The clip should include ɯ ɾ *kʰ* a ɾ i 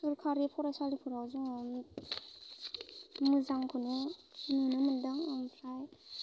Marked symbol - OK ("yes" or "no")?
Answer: yes